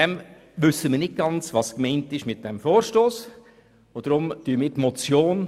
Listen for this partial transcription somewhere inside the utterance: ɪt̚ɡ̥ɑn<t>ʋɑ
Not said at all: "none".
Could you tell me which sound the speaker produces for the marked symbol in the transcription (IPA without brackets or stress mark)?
t͡s